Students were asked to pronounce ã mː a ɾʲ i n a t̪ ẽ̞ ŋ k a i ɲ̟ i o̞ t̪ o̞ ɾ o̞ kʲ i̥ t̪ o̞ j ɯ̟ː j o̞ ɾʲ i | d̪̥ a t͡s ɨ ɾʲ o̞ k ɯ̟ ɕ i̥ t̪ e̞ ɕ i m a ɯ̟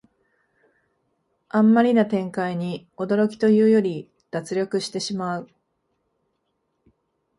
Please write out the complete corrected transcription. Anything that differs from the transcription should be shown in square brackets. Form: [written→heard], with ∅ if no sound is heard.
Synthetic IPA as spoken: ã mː a ɾʲ i n a t̪ ẽ̞ ŋ k a i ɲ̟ i o̞ [t̪→d̪] o̞ ɾ o̞ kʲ i̥ t̪ o̞ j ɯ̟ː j o̞ ɾʲ i | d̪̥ a t͡s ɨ ɾʲ o̞ k ɯ̟ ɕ i̥ t̪ e̞ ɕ i m a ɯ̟